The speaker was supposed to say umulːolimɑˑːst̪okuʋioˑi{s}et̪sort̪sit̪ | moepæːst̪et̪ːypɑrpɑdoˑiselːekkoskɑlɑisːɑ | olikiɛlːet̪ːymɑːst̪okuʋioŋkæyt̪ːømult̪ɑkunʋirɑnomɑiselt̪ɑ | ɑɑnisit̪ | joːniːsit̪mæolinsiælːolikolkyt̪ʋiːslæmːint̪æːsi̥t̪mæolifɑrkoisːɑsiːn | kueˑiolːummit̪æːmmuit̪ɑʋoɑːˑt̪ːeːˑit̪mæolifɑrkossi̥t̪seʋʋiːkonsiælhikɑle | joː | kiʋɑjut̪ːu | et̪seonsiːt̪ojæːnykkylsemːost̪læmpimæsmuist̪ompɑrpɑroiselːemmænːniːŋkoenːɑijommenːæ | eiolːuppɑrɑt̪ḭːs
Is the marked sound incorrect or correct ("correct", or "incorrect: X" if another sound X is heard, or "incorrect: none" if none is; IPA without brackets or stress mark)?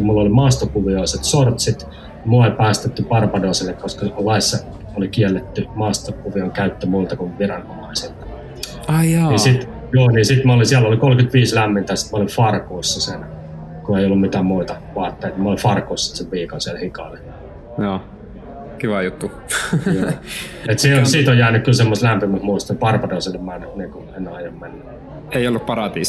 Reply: correct